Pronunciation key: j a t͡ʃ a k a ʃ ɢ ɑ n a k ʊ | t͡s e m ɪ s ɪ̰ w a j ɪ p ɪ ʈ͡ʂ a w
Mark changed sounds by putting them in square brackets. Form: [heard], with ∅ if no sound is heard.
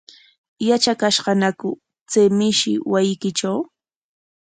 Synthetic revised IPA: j a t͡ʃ a k a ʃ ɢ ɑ n a k ʊ | t͡s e m ɪ [ʃ] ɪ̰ w a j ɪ [k] ɪ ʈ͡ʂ a w

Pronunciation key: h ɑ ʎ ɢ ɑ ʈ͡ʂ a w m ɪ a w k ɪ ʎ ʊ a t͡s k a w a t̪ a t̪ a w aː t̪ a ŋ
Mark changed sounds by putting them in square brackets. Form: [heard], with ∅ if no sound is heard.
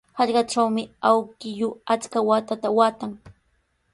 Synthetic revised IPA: h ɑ ʎ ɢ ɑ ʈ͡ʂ a w m ɪ a w k ɪ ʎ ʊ a t͡s k a w a t̪ a t̪ a w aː t̪ a ŋ

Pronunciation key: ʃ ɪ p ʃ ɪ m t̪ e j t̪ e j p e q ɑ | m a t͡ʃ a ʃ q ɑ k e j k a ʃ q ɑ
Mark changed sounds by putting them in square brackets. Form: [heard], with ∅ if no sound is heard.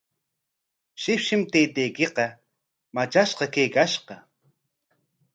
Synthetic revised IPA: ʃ ɪ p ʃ ɪ m t̪ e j t̪ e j [k] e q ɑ | m a t͡ʃ a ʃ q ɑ k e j k a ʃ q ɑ

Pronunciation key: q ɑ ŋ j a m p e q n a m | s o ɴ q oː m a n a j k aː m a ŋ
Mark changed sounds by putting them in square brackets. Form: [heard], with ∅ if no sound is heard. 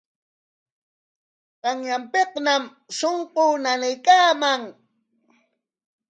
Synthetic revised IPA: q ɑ ŋ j a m p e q n a m | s o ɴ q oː [n] a n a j k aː m a ŋ

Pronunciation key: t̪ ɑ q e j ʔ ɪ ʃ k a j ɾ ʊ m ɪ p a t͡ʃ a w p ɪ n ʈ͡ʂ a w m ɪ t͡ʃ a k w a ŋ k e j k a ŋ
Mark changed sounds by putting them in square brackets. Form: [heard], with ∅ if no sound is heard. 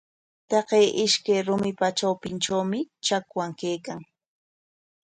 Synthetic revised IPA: t̪ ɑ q e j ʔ ɪ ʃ k a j ɾ ʊ m ɪ p a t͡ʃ a w p ɪ n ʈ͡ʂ a w m ɪ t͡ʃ a k w a ŋ k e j k a ŋ

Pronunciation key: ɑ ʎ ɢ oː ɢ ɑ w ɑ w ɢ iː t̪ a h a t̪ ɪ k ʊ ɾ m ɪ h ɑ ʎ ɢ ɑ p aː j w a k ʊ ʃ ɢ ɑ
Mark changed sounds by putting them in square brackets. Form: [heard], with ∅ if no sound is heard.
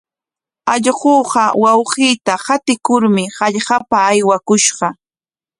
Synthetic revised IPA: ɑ ʎ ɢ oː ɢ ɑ w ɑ w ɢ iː t̪ a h a t̪ ɪ k ʊ ɾ m ɪ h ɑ ʎ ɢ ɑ p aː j w a k ʊ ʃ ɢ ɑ

